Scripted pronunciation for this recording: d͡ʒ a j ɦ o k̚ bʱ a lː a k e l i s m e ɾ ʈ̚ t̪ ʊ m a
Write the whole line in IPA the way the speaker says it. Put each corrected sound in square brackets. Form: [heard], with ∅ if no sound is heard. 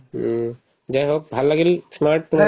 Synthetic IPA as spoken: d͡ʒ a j ɦ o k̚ bʱ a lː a [ɡ] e l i s m [a] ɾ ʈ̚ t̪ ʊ m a